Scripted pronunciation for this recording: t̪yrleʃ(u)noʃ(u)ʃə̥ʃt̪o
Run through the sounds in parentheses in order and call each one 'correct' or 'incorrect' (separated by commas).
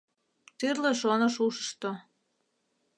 incorrect, correct